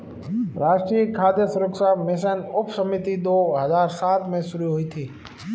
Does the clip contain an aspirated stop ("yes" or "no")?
yes